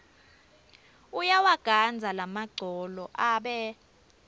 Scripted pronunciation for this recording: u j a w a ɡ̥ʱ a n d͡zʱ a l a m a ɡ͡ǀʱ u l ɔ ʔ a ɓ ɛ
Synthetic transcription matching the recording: u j a w a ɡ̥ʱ a n d͡zʱ a l a m a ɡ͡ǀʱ ɔ l ɔ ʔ a ɓ ɛ